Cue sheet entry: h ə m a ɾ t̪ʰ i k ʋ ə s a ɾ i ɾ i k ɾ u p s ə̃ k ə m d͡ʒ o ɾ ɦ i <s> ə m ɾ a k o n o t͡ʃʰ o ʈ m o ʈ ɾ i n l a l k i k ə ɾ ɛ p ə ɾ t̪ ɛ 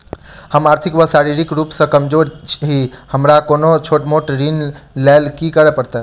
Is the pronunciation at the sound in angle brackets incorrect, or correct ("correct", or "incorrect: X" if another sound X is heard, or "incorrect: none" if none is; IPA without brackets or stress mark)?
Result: incorrect: h